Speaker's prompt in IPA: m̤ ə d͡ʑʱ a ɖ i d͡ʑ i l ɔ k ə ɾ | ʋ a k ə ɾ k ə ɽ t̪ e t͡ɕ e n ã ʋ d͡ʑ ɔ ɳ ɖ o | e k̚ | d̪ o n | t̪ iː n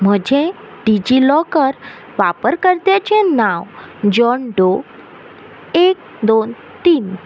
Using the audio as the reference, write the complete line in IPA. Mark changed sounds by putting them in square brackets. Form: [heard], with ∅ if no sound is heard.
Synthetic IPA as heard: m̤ ə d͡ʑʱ [e] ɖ i d͡ʑ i l ɔ k ə ɾ | ʋ a [p] ə ɾ k ə [ɾ] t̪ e t͡ɕ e n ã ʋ d͡ʑ ɔ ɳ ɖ o | e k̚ | d̪ o n | t̪ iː n